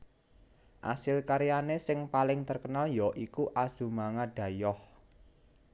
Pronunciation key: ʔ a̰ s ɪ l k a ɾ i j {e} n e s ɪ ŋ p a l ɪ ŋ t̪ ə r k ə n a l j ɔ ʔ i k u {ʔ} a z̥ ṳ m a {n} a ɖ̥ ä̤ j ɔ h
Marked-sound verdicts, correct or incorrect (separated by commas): incorrect, correct, incorrect